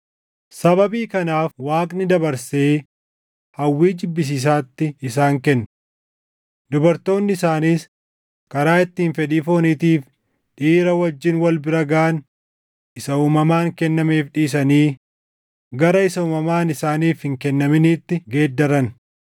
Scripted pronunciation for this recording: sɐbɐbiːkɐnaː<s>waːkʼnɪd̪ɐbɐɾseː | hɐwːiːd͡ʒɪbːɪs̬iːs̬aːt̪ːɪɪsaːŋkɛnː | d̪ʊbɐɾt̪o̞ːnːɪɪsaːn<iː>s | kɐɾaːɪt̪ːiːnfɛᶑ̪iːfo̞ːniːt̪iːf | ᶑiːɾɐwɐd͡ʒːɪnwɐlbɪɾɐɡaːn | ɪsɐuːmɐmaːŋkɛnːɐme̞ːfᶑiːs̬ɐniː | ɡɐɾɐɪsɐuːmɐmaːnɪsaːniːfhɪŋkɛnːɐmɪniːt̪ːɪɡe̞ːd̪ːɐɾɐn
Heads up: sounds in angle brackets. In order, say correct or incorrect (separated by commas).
incorrect, correct